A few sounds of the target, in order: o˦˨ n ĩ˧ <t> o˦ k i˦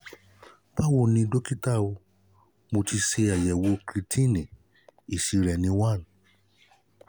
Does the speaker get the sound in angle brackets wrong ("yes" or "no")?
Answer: yes